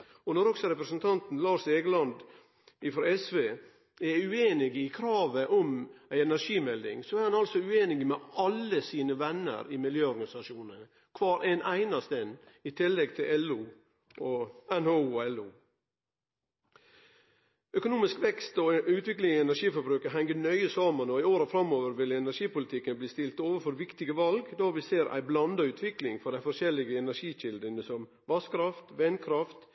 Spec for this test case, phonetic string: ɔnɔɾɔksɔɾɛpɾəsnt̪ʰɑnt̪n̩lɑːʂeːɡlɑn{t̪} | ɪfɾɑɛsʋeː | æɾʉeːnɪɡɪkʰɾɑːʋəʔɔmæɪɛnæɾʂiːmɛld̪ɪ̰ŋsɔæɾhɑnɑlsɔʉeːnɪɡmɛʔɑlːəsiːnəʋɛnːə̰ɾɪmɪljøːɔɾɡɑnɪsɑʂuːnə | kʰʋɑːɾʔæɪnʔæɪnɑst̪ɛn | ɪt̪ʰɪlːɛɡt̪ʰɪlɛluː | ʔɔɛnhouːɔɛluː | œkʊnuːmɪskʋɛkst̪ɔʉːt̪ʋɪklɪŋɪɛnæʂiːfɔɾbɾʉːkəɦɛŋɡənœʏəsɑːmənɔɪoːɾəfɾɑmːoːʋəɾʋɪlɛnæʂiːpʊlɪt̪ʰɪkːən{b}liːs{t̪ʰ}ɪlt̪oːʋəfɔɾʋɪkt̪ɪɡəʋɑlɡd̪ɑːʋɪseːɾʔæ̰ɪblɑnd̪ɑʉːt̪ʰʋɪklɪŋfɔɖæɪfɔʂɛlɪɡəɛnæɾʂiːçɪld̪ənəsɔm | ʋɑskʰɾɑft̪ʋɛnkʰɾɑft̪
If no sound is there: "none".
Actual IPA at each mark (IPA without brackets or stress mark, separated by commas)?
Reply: d̪, b, t̪